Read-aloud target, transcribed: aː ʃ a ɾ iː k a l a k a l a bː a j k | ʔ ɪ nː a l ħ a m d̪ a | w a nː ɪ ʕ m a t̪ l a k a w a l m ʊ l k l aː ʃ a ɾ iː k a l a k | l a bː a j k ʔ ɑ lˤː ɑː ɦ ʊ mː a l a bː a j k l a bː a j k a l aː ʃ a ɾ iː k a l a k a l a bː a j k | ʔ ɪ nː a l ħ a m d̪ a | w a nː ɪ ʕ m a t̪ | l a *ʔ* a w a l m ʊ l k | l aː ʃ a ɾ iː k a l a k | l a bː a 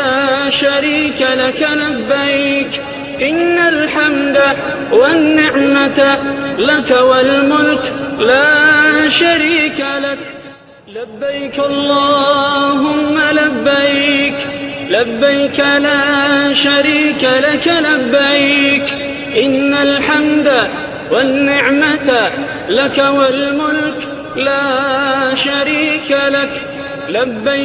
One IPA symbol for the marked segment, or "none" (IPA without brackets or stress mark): k